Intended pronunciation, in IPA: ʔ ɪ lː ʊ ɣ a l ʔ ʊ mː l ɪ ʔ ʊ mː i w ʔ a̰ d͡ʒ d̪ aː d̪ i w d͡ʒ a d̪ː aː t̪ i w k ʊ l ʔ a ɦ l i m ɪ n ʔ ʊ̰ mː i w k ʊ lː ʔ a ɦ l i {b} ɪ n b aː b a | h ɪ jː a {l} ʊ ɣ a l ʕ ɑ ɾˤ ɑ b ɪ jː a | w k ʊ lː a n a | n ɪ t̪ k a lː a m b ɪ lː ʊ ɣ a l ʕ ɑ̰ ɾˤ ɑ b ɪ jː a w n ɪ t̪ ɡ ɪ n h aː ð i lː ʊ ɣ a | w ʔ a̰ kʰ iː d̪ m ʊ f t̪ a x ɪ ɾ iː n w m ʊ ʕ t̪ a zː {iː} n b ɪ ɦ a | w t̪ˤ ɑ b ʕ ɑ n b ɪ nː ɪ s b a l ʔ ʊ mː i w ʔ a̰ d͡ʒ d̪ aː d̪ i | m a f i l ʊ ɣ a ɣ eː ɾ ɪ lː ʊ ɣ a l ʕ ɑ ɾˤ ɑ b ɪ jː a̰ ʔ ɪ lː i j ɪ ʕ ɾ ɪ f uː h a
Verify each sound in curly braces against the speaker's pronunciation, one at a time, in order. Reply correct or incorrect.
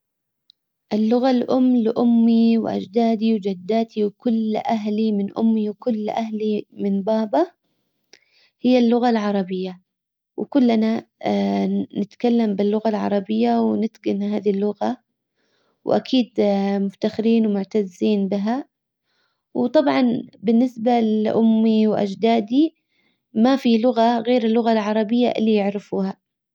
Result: incorrect: m, incorrect: lː, correct

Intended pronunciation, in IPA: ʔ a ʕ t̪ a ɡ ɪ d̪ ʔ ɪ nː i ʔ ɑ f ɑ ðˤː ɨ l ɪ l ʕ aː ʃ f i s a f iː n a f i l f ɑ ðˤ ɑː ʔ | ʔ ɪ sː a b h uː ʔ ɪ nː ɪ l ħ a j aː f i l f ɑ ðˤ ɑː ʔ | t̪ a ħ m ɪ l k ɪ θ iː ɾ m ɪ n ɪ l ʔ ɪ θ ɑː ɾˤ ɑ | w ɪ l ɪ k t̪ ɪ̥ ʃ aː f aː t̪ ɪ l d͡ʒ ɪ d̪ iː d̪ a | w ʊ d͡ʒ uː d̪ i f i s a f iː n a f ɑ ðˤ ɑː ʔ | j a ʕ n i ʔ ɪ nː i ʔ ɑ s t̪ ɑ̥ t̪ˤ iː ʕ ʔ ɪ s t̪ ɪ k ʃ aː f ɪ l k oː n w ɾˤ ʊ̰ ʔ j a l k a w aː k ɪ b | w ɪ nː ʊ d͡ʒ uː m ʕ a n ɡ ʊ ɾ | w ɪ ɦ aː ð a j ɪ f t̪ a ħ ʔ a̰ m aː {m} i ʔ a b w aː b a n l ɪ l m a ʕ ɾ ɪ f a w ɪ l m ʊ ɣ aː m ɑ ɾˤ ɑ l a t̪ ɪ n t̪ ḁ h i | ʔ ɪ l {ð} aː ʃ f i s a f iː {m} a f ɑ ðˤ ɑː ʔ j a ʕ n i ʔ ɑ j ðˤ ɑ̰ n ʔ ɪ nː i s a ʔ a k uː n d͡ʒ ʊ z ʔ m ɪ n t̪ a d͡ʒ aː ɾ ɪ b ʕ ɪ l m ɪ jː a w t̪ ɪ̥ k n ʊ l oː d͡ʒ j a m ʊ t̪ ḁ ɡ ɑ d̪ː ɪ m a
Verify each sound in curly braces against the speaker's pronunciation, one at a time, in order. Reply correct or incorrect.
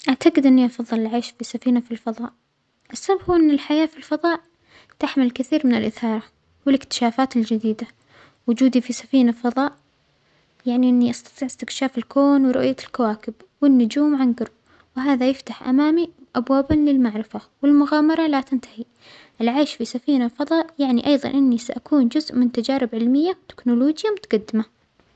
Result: correct, incorrect: ʕ, incorrect: n

